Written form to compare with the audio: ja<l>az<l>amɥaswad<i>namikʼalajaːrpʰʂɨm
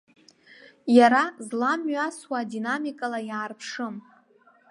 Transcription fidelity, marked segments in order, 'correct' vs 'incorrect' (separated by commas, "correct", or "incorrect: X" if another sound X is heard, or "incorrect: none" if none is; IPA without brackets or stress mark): incorrect: ɾ, correct, correct